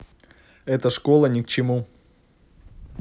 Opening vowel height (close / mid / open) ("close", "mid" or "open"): mid